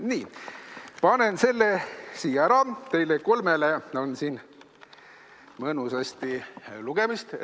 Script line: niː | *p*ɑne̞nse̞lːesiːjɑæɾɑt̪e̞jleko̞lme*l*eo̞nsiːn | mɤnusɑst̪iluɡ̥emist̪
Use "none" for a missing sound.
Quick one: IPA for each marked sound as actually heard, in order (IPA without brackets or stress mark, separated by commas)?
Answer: p, l